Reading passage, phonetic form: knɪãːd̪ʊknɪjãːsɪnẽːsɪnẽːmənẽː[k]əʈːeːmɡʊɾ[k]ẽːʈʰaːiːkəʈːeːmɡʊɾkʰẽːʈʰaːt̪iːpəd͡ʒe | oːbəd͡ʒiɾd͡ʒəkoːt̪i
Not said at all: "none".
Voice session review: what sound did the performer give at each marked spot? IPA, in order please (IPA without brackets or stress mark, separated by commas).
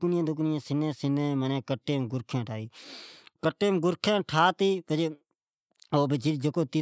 k, kʰ